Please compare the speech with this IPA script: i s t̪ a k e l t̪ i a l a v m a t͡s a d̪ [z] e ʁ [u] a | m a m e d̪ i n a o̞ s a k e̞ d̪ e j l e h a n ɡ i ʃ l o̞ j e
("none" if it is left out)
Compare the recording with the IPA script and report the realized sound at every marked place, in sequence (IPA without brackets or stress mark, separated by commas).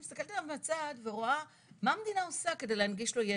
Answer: v, o